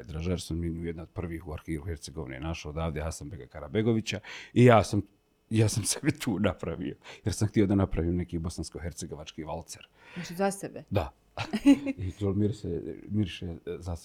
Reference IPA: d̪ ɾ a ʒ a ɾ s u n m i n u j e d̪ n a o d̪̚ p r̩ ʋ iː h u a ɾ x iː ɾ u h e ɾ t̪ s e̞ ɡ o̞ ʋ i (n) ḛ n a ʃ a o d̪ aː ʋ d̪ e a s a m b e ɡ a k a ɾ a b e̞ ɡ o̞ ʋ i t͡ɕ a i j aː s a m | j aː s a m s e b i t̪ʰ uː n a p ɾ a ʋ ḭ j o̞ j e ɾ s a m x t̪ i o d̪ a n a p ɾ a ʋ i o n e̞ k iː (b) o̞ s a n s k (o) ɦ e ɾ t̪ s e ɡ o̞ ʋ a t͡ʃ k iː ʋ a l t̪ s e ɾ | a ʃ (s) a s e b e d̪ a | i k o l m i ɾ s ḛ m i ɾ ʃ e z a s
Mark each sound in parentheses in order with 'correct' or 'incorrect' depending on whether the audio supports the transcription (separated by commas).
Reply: correct, correct, correct, incorrect